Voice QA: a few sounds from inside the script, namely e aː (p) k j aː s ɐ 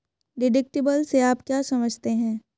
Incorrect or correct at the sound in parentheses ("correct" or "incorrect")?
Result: correct